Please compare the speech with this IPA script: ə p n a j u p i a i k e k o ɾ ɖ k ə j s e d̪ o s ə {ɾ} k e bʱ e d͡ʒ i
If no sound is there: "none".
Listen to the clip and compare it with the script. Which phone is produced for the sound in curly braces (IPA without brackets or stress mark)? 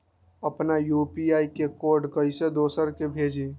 ɾ